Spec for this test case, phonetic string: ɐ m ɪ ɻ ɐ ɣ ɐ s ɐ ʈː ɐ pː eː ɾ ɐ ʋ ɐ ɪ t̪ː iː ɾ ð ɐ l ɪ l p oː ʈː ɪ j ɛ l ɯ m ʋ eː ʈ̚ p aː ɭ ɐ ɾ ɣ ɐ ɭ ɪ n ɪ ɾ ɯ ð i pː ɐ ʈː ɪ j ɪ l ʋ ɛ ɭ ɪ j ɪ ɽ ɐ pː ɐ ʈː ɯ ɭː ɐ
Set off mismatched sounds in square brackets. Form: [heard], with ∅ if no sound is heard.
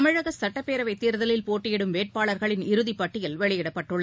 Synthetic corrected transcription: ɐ m ɪ ɻ ɐ ɣ ɐ s ɐ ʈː ɐ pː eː ɾ ɐ ʋ ɐ ɪ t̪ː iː ɾ ð ɐ l ɪ l p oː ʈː ɪ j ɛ [ɽ] ɯ m ʋ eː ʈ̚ p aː ɭ ɐ ɾ ɣ ɐ ɭ ɪ n ɪ ɾ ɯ ð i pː ɐ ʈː ɪ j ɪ l ʋ ɛ ɭ ɪ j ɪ ɽ ɐ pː ɐ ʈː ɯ ɭː ɐ